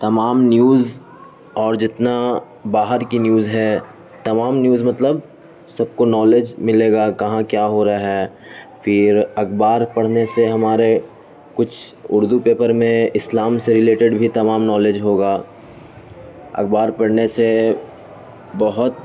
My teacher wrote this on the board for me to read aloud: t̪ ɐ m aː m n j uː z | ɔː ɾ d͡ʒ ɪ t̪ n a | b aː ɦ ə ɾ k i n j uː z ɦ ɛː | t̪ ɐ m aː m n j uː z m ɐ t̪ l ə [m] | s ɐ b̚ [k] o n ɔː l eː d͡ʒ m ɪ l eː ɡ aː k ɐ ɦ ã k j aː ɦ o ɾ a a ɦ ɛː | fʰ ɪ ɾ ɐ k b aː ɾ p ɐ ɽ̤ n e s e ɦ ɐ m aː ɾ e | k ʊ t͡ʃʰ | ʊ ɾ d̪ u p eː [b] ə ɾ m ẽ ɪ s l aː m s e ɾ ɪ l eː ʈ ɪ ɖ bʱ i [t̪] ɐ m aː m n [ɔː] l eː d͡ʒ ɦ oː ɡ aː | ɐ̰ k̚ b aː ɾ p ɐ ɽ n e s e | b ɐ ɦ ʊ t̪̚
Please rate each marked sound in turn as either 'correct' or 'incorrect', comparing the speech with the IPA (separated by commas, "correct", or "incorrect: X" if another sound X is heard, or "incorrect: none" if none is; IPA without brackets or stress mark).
incorrect: b, correct, incorrect: p, correct, correct